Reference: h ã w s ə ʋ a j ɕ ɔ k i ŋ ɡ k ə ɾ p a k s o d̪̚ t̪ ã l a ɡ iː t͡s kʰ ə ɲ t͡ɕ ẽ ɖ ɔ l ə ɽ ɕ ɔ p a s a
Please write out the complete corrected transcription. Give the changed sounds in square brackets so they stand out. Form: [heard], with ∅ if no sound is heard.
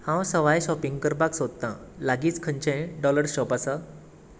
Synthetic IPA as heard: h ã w s ə ʋ a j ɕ ɔ [p] i ŋ ɡ k ə ɾ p a k s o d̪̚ t̪ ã l a ɡ iː t͡s kʰ ə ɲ t͡ɕ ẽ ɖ ɔ l ə [ɾ] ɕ ɔ p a s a